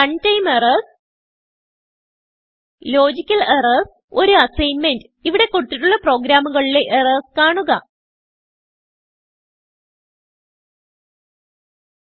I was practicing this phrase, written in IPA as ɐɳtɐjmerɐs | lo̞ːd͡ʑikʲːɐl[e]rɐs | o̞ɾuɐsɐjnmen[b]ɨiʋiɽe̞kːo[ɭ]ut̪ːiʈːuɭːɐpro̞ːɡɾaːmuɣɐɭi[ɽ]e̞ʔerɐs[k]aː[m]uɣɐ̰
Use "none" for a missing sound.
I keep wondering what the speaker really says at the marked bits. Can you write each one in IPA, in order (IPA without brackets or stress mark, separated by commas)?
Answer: e, d, ɽ, l, k, ɳ